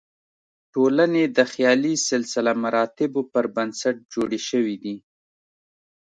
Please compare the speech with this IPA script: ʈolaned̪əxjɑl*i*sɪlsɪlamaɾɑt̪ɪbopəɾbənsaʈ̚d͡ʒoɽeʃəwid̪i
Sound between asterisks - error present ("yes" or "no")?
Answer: no